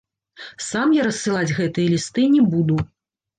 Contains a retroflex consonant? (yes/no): no